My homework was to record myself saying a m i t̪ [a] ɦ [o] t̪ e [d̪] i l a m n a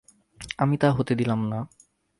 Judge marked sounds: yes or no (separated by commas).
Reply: yes, yes, yes